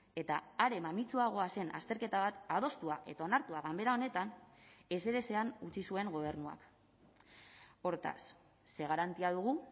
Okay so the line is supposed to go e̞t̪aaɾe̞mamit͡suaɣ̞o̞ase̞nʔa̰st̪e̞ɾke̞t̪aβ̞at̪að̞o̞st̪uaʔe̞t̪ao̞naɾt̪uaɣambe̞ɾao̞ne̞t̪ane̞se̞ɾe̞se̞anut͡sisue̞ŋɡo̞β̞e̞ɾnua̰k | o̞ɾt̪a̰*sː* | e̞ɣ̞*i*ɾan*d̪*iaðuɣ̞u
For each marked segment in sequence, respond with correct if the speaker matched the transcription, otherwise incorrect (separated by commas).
correct, incorrect, incorrect